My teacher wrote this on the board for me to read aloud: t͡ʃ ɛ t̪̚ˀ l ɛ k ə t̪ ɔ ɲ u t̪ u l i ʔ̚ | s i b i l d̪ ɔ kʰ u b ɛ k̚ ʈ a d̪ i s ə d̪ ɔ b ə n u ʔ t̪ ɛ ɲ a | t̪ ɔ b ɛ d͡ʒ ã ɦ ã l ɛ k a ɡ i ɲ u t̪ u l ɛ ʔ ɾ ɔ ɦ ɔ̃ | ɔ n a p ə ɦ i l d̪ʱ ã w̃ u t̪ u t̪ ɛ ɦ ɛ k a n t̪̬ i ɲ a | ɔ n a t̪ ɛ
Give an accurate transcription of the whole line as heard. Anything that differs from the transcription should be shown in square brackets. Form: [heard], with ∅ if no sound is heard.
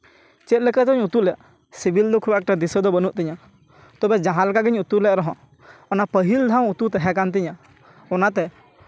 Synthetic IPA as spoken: t͡ʃ ɛ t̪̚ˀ l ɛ k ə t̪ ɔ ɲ u t̪ u l [ɛ] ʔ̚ | s i b i l d̪ ɔ kʰ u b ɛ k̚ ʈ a d̪ i s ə d̪ ɔ b ə n u ʔ t̪ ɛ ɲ a | t̪ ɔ b ɛ d͡ʒ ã ɦ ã l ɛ k a ɡ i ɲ u t̪ u l ɛ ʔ ɾ ɔ ɦ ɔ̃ | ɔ n a p ə ɦ i l d̪ʱ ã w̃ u t̪ u t̪ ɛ ɦ ɛ k a n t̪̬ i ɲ a | ɔ n a t̪ ɛ